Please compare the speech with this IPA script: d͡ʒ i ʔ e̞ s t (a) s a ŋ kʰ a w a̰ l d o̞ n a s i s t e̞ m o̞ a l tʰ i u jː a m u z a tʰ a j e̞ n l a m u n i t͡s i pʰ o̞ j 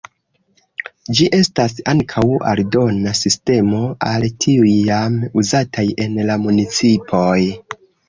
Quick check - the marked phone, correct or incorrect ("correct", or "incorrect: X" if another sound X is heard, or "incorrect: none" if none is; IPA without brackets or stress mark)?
correct